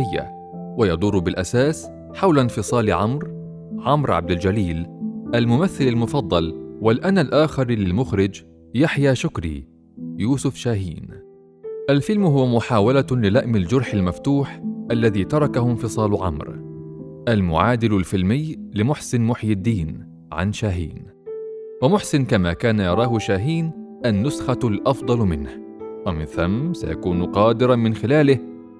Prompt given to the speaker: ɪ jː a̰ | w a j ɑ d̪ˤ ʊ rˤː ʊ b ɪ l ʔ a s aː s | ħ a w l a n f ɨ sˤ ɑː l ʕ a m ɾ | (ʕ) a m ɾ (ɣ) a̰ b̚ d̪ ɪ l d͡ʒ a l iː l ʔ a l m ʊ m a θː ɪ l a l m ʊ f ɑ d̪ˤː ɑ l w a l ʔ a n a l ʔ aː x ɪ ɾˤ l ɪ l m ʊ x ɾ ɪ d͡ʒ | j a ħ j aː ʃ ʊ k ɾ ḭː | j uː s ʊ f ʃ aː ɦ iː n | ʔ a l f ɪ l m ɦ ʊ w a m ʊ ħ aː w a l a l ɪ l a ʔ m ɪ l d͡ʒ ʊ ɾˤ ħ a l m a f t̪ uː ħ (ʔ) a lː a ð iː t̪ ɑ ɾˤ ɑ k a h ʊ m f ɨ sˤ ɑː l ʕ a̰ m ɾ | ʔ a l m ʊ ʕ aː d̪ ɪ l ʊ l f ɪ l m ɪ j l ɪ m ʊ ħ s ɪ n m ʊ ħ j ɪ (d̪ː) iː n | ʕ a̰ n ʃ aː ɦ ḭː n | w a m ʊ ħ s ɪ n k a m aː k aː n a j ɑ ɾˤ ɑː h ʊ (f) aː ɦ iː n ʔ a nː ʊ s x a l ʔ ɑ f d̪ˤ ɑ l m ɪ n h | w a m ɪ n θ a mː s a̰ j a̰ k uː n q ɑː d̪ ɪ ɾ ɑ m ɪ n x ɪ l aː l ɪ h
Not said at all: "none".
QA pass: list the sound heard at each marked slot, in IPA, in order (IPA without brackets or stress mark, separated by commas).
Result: ʕ, ʕ, ʔ, d̪ː, ʃ